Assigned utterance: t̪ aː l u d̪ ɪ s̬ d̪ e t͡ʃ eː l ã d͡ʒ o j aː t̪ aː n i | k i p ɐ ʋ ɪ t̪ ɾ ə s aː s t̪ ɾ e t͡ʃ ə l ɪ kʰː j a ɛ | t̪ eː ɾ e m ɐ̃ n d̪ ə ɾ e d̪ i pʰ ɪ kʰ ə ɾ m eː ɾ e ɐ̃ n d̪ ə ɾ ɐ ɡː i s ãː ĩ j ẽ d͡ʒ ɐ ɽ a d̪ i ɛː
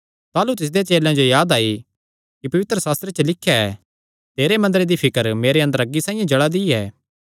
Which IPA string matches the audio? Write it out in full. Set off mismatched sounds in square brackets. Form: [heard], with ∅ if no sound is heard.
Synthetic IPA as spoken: t̪ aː l u [t̪] ɪ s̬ d̪ e t͡ʃ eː l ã d͡ʒ o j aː [d̪] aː [∅] i | k i p ɐ ʋ ɪ t̪ ɾ ə s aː s t̪ ɾ e t͡ʃ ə l ɪ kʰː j a ɛ | t̪ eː ɾ e m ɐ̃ n d̪ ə ɾ e d̪ i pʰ ɪ [k] ə ɾ m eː ɾ e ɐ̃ n d̪ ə ɾ ɐ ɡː i s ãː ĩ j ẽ d͡ʒ ɐ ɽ a d̪ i ɛː